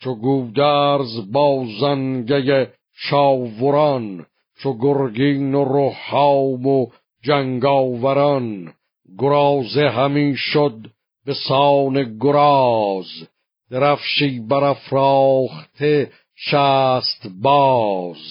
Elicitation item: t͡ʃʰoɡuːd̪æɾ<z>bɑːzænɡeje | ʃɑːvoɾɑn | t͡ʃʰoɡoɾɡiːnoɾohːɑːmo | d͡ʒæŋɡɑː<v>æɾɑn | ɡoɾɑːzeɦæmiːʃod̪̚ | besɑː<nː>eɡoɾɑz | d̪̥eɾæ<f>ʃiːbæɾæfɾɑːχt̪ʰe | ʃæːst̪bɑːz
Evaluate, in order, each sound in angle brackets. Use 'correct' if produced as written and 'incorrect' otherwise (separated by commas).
correct, correct, incorrect, correct